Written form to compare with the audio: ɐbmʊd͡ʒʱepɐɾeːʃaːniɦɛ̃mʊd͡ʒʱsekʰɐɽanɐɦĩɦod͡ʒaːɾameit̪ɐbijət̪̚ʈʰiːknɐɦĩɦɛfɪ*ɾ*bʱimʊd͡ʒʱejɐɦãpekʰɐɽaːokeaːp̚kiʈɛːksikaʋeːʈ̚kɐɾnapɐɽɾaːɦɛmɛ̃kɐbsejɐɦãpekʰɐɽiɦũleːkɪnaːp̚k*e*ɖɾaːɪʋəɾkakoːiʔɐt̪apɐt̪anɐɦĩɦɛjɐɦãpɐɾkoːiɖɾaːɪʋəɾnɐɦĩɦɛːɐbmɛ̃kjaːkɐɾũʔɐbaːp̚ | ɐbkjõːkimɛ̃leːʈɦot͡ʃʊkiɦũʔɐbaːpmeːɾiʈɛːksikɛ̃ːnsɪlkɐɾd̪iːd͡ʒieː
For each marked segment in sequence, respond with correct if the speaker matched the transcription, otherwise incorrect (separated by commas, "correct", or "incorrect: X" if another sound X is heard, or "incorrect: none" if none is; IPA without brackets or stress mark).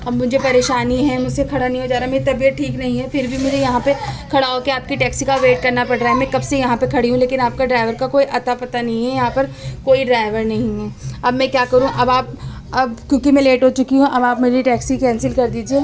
correct, incorrect: a